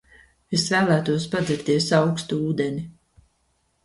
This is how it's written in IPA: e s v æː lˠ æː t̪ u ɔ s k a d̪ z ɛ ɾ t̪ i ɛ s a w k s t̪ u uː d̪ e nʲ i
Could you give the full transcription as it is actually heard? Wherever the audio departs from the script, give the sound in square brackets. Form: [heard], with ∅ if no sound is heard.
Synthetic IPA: e s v æː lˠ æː t̪ u ɔ s [p] a d̪ z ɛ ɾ t̪ i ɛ s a w k s t̪ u uː d̪ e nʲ i